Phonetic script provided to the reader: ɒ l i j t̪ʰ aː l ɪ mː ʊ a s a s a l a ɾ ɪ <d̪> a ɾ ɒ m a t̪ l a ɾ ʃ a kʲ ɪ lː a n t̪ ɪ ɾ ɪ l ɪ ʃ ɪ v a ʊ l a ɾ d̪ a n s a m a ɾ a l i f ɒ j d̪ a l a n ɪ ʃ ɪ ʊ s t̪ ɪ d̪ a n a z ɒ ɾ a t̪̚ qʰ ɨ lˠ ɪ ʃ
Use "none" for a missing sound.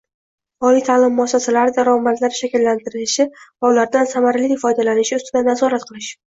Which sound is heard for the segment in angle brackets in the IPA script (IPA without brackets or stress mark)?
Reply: d̪